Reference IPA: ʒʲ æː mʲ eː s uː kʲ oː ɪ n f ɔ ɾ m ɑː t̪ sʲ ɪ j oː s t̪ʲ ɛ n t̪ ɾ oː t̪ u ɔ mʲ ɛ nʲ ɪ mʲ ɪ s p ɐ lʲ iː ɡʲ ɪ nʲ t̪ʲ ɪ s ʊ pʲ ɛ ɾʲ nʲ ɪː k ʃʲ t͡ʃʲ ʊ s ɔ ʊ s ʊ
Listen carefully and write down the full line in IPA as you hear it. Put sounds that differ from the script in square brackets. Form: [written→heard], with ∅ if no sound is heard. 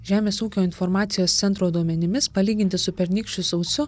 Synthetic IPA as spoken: ʒʲ æː mʲ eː s uː kʲ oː ɪ n f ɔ ɾ m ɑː t̪ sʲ ɪ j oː s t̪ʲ ɛ n t̪ ɾ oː [t̪→d̪] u ɔ mʲ ɛ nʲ ɪ mʲ ɪ s p ɐ lʲ iː ɡʲ ɪ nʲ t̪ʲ ɪ s ʊ pʲ ɛ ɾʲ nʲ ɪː k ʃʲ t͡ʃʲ ʊ s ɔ ʊ s ʊ